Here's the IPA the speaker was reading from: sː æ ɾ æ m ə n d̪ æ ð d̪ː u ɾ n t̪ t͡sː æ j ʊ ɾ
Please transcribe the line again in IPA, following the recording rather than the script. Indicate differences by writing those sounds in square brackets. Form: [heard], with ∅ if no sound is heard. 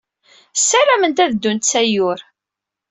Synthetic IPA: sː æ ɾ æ m ə n [t̪] æ ð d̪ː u [∅] n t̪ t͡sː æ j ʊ ɾ